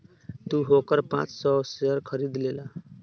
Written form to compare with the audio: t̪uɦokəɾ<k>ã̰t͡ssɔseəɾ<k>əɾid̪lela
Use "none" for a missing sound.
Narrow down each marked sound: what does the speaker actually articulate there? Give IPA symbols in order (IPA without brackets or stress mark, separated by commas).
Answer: p, kʰ